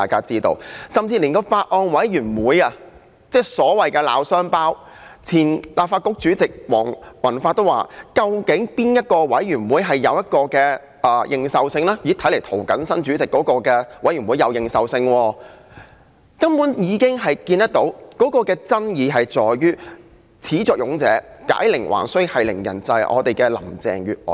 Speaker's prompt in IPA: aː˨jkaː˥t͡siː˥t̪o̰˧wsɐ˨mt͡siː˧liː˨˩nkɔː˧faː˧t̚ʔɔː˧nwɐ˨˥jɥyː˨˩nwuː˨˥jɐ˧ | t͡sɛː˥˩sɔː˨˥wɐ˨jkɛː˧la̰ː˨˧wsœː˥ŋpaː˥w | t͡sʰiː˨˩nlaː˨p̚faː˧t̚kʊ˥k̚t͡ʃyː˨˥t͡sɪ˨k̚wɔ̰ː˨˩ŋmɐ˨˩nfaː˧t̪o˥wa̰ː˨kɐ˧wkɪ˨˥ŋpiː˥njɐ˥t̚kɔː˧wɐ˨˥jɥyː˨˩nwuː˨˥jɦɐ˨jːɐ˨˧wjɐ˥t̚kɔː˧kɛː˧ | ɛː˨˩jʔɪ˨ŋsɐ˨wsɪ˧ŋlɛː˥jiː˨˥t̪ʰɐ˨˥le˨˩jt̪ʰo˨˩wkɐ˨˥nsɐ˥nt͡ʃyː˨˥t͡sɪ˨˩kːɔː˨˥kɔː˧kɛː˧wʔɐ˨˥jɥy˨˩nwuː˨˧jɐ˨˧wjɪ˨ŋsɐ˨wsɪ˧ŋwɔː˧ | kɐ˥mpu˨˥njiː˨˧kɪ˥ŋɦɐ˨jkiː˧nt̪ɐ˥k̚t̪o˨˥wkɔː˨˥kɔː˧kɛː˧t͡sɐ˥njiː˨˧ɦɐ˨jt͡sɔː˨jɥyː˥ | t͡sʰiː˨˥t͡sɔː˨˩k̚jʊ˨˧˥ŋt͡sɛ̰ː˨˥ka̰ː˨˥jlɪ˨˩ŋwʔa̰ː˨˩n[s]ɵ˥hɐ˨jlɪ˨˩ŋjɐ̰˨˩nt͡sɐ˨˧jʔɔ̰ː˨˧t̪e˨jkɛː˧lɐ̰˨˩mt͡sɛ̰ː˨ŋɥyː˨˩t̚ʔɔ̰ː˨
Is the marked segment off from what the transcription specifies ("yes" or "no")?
no